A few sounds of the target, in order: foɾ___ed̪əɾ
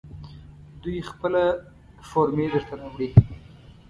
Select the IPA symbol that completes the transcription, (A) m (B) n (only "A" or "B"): A